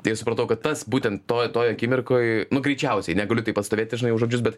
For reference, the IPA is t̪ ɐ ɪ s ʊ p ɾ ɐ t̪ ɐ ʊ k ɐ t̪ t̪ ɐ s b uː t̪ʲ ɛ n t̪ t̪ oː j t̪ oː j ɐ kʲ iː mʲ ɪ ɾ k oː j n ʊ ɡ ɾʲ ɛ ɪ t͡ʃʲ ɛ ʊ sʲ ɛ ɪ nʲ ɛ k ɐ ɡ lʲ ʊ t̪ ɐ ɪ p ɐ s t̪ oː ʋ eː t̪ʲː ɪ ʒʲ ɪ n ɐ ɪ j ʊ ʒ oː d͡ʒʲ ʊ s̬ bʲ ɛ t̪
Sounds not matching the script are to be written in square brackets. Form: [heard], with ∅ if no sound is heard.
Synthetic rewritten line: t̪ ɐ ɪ s ʊ p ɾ ɐ t̪ ɐ ʊ k ɐ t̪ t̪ ɐ s b uː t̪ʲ ɛ n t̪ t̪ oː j t̪ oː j ɐ kʲ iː mʲ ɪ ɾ k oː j n ʊ ɡ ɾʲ ɛ ɪ t͡ʃʲ ɛ ʊ sʲ ɛ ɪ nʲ ɛ [ɡ] ɐ [∅] lʲ ʊ t̪ ɐ ɪ p ɐ s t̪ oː ʋ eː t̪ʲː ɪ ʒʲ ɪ n ɐ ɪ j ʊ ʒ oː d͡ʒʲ ʊ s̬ bʲ ɛ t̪